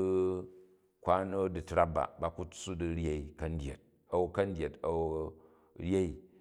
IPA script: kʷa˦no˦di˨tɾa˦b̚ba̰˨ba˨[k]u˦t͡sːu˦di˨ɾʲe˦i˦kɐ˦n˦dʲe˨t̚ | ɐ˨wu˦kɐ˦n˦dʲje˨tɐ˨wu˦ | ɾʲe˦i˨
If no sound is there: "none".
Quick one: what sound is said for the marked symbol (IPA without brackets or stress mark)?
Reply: k